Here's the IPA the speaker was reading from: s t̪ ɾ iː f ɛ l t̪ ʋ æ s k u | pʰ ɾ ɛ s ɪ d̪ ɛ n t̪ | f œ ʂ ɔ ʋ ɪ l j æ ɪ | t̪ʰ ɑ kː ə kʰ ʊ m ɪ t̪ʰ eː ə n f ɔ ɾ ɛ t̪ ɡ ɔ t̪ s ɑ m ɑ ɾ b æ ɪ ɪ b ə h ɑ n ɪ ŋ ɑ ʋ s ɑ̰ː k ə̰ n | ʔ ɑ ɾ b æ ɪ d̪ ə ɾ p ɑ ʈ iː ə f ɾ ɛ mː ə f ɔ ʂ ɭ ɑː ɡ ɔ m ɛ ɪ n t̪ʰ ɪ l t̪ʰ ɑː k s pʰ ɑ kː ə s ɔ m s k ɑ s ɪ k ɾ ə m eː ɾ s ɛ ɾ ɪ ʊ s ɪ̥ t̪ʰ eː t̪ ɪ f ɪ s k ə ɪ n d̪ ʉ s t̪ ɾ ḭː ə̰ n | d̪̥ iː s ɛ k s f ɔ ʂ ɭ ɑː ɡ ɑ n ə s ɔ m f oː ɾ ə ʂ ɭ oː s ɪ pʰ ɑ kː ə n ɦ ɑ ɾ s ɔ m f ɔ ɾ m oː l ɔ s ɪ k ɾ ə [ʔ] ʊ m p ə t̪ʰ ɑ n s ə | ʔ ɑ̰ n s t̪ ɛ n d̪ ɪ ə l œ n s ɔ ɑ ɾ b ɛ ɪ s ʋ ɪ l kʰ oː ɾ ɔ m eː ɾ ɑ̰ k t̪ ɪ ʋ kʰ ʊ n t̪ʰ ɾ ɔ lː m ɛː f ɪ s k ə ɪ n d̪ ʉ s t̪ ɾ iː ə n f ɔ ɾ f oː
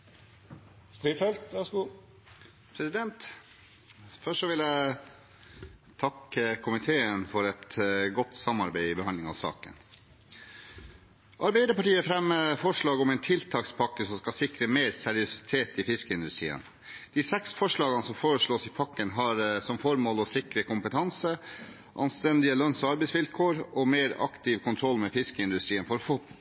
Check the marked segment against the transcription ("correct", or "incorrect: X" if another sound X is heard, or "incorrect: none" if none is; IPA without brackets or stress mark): incorrect: k